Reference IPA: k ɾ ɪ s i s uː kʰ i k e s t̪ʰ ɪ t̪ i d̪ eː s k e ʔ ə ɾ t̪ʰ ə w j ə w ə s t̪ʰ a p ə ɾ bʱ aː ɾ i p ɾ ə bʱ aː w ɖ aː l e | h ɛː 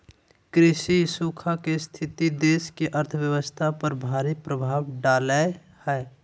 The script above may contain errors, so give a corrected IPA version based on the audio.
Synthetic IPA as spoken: k ɾ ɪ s i s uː kʰ a k e s t̪ʰ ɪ t̪ i d̪ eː s k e ʔ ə ɾ t̪ʰ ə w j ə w ə s t̪ʰ a p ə ɾ bʱ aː ɾ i p ɾ ə bʱ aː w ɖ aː l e | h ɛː

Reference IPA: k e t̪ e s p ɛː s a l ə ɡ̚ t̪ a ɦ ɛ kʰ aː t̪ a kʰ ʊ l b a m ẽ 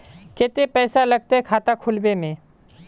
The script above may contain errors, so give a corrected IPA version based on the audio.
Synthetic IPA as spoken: k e t̪ e p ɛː s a l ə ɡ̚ t̪ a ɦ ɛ kʰ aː t̪ a kʰ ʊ l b e m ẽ

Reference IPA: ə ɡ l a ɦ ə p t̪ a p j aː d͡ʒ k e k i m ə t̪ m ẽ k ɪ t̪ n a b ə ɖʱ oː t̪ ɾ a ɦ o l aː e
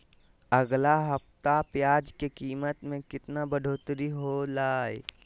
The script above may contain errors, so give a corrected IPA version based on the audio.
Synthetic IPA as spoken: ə ɡ l a ɦ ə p t̪ a p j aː d͡ʒ k e k iː m ə t̪ m ẽ k ɪ t̪ n a b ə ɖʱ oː t̪ ɾ i ɦ o l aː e

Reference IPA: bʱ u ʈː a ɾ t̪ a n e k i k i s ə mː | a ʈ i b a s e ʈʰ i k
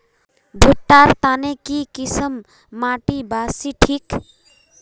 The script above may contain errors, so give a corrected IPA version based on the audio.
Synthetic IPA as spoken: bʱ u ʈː a ɾ t̪ a n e k i k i s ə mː | a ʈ i b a s i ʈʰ i k

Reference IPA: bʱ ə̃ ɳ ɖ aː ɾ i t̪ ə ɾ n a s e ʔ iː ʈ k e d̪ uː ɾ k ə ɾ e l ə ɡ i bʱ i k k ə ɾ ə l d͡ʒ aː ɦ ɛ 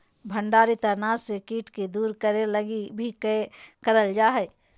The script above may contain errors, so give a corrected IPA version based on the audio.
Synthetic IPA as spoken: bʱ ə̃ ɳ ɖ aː ɾ i t̪ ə ɾ n a s e k iː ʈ k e d̪ uː ɾ k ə ɾ e l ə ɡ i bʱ i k k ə ɾ ə l d͡ʒ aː ɦ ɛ

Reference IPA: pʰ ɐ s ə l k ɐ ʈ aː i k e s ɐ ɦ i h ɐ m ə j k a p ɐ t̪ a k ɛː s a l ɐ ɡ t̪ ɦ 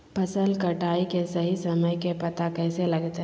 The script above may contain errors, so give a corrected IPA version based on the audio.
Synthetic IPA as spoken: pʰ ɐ s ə l k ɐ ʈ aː i k e s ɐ ɦ i s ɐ m ə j k e p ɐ t̪ a k ɛː s e l ɐ ɡ t̪ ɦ

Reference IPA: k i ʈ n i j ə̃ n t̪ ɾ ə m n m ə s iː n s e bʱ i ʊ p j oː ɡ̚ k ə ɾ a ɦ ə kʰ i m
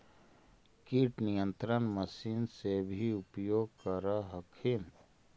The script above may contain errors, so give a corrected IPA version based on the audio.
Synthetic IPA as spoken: k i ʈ n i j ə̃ n t̪ ɾ ə n m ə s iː n s e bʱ i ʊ p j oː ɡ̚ k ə ɾ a ɦ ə kʰ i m

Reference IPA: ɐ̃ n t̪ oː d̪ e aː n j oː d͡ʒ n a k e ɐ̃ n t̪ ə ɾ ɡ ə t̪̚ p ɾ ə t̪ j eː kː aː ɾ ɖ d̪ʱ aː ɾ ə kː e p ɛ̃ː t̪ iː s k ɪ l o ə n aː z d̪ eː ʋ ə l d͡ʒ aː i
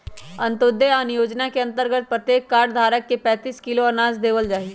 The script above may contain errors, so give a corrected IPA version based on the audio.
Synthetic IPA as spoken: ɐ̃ n t̪ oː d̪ e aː n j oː d͡ʒ n a k e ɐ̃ n t̪ ə ɾ ɡ ə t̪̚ p ɾ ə t̪ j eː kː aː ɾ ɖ d̪ʱ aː ɾ ə kː e p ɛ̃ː t̪ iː s k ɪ l o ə n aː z d̪ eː ʋ ə l d͡ʒ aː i

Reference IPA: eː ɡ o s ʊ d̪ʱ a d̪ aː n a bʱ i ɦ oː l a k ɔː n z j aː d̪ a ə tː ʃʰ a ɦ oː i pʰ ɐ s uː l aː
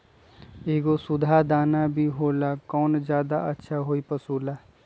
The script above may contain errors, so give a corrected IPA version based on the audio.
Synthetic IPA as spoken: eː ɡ o s ʊ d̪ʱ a d̪ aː n a bʱ i ɦ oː l a k ɔː n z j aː d̪ a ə tː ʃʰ a ɦ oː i p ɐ s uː l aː

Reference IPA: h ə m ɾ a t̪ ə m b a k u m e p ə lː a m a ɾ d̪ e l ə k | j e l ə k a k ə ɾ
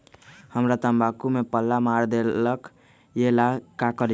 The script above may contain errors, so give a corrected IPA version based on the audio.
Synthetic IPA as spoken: h ə m ɾ a t̪ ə m b a k u m e p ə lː a m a ɾ d̪ e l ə k | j e l a k a k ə ɾ

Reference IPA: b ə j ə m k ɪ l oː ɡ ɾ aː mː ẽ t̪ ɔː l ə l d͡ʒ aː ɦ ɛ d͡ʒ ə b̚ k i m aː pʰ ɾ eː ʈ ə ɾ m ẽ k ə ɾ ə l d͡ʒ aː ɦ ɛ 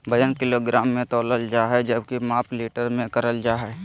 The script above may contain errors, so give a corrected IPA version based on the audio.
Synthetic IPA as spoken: b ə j ə n k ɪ l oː ɡ ɾ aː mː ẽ t̪ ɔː l ə l d͡ʒ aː ɦ ɛ d͡ʒ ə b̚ k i m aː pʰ l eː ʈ ə ɾ m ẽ k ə ɾ ə l d͡ʒ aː ɦ ɛ

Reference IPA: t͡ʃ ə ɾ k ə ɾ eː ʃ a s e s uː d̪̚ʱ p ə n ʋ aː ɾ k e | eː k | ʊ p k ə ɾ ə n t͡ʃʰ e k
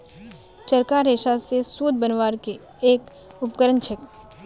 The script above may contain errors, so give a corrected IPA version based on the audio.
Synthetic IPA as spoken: t͡ʃ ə ɾ k a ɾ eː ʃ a s e s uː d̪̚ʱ b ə n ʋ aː ɾ k e | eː k | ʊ p k ə ɾ ə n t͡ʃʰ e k

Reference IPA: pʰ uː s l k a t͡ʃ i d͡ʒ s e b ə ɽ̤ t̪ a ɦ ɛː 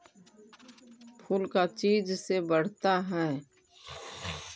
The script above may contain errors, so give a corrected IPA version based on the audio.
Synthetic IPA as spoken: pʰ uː l k a t͡ʃ iː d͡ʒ s e b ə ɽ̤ t̪ a ɦ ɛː

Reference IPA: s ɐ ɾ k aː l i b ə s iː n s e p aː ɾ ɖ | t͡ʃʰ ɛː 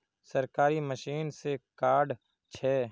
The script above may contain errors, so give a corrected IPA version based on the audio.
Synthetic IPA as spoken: s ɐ ɾ k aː ɾ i m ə ʃ iː n s e k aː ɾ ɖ | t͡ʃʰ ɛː

